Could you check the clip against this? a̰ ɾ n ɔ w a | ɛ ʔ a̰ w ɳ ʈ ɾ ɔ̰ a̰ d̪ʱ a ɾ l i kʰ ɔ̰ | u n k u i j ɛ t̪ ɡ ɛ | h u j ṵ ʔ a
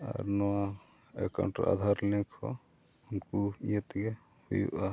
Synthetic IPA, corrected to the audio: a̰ ɾ n ɔ w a | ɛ k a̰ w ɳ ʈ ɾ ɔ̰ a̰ d̪ʱ a ɾ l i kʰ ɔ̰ | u n k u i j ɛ t̪ ɡ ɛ | h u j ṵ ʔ a